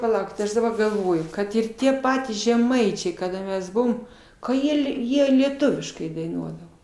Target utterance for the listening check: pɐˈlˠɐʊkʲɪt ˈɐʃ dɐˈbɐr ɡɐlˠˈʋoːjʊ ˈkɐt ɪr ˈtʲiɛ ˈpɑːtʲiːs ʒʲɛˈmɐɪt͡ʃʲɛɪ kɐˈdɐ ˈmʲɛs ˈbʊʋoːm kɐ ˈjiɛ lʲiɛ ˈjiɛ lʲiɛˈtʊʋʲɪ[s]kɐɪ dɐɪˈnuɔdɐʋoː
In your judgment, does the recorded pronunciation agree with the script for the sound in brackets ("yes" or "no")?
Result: no